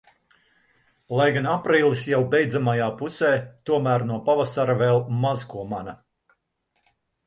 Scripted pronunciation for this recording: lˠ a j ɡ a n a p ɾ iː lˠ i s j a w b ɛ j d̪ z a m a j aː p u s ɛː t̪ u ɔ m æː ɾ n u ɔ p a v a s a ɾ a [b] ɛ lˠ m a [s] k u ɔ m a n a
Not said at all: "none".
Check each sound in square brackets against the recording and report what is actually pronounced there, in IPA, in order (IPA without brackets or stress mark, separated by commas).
v, z